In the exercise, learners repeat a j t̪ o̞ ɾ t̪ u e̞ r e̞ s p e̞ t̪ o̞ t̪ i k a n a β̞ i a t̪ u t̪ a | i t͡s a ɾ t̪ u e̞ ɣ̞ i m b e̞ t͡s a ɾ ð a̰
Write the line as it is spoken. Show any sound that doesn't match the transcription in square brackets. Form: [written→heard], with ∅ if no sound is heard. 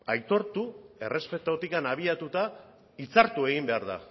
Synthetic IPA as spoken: a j t̪ o̞ ɾ t̪ u e̞ r e̞ s p e̞ t̪ o̞ t̪ i k a n a β̞ i a t̪ u t̪ a | i t͡s a ɾ t̪ u e̞ ɣ̞ i m b e̞ [t͡s→∅] a ɾ ð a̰